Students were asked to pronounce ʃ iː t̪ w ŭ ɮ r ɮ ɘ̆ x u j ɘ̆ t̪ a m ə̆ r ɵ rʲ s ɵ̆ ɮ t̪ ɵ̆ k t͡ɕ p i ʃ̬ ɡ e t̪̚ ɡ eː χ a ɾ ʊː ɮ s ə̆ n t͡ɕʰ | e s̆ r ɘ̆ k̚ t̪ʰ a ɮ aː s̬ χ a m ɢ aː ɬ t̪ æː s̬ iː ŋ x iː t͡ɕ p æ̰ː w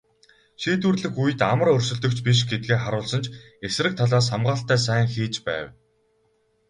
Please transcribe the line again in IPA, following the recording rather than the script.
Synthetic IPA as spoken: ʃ iː t̪ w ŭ r ɮ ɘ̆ x u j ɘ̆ t̪ a m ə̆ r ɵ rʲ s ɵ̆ ɮ t̪ ɵ̆ k t͡ɕ p i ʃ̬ ɡ e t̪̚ ɡ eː χ a ɾ ʊː ɮ s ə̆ n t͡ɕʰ | e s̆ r ɘ̆ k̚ t̪ʰ a ɮ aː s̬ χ a m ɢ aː ɬ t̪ æː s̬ æː ŋ x iː t͡ɕ p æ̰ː w

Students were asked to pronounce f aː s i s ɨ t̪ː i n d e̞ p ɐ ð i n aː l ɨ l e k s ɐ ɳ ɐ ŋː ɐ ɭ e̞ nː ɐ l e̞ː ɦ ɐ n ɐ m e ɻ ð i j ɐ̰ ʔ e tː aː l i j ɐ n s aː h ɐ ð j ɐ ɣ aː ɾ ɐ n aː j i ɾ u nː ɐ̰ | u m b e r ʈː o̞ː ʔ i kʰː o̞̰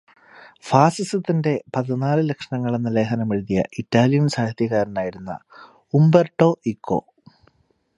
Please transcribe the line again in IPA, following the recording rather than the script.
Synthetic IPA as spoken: f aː s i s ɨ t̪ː i n d e̞ p ɐ ð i n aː l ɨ l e k ʂ ɐ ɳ ɐ ŋː ɐ ɭ e̞ nː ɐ l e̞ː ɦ ɐ n ɐ m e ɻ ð i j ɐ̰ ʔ i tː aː l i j ɐ n s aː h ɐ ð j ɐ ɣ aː ɾ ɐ n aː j i ɾ u nː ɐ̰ | u m b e r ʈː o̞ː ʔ i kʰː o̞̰

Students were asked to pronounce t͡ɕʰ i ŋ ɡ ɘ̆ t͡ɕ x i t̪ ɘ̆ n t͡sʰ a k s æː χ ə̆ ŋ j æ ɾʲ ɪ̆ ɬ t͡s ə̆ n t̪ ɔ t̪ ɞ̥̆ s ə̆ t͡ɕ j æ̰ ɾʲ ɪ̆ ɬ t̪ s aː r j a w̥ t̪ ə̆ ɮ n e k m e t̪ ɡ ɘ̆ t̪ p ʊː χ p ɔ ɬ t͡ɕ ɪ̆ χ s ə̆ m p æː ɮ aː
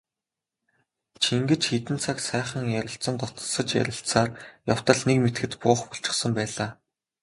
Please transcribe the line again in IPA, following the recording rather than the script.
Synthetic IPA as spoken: t͡ɕʰ i ŋ ɡ ɘ̆ t͡ɕ x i t̪ ɘ̆ n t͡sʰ a k s æː χ ə̆ ŋ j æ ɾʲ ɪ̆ ɬ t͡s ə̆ n t̪ ɔ t̪ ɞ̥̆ s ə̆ t͡ɕ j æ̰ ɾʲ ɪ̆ ɬ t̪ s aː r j a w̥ t̪ ə̆ ɮ n e k m e t̪ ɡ ɘ̆ t̪ p ʊː χ p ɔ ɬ t͡ɕ ɪ̆ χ s ə̆ m p æː ɮ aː

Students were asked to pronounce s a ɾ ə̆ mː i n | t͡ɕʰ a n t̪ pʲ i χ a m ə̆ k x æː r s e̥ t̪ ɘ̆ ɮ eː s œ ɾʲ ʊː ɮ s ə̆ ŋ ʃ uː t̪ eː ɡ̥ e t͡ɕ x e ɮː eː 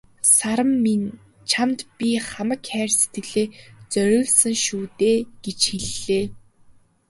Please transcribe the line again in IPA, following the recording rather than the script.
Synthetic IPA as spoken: s a ɾ ə̆ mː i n | t͡ɕʰ a m t̪ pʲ i χ a m ə̆ k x æː r s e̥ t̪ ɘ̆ ɮ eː t͡s œ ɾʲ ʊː ɮ s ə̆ ŋ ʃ uː t̪ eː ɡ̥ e t͡ɕ x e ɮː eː

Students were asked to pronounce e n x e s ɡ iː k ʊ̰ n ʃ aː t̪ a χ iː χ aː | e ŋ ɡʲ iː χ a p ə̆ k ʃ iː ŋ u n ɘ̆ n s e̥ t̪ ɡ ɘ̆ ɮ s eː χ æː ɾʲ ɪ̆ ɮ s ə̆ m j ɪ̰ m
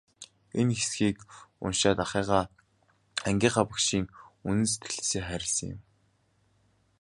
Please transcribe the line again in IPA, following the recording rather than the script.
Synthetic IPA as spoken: e n x e s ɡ iː k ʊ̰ n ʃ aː t̪ a χ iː ʁ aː | æ ŋ ɡʲ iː χ a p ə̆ k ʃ iː ŋ u n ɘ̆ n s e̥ t̪ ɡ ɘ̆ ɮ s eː χ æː ɾʲ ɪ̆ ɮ s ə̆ ŋ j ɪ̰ m

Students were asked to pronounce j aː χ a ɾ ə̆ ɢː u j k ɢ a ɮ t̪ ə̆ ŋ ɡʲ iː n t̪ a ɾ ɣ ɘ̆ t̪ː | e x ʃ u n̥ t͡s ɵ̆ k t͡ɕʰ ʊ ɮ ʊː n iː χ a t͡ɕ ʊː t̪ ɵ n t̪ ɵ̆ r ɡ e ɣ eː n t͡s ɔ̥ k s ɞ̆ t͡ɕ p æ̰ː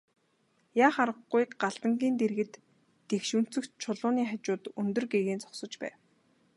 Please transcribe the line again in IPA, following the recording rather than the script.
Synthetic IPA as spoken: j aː χ a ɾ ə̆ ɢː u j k ɢ a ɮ t̪ ə̆ ŋ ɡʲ iː n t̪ e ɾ ɣ ɘ̆ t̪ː | e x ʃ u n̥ t͡s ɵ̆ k t͡ɕʰ ʊ ɮ ʊː n iː χ a t͡ɕ ʊː t̪ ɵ n t̪ ɵ̆ r ɡ e ɣ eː n t͡s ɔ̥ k s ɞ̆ t͡ɕ p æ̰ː

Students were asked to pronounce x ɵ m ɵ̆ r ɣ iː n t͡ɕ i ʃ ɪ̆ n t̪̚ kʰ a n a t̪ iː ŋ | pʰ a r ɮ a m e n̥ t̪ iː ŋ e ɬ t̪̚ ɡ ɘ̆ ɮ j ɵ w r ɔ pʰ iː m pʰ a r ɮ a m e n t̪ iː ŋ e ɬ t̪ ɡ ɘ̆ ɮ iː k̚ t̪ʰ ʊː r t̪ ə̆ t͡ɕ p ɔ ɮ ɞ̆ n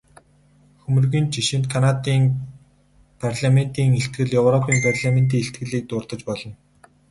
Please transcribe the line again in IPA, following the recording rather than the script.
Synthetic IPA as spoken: x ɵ m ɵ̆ r ɣ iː n t͡ɕ i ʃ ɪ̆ n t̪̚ kʰ a n a t̪ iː ŋ | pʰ a r ɮ a m e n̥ t̪ iː ŋ e ɬ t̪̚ ɡ ɘ̆ ɮ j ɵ w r ɔ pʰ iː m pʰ a r ɮ a m e n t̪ iː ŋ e ɬ t̪ ɡ ɘ̆ ɮ iː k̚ t̪ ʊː r t̪ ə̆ t͡ɕ p ɔ ɮ ɞ̆ n

